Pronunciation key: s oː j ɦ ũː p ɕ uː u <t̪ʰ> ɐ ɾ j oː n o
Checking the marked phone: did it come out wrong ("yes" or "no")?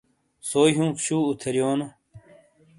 no